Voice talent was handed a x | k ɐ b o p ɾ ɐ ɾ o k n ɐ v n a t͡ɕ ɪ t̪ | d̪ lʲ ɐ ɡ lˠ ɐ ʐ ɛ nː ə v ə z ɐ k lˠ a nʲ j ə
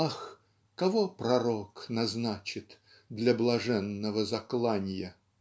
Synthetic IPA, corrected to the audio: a x | k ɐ v o p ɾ ɐ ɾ o k n ɐ z n a t͡ɕ ɪ t̪ | d̪ lʲ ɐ b lˠ ɐ ʐ ɛ nː ə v ə z ɐ k lˠ a nʲ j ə